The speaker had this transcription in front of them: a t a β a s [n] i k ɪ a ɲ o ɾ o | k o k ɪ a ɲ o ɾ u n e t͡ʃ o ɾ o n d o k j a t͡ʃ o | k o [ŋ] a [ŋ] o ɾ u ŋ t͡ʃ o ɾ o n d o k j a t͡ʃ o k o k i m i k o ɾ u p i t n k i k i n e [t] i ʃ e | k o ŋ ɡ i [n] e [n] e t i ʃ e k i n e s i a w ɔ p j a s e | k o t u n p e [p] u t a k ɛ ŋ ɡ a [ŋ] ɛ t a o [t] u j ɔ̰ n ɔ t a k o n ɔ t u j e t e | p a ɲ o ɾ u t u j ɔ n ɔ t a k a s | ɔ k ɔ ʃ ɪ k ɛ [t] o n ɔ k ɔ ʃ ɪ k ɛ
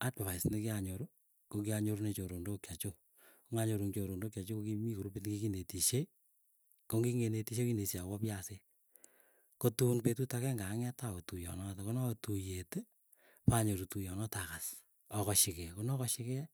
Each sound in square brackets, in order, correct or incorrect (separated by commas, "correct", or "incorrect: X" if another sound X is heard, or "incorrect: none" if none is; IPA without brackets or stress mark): correct, correct, incorrect: ɲ, correct, incorrect: ŋ, correct, incorrect: t, correct, correct, incorrect: k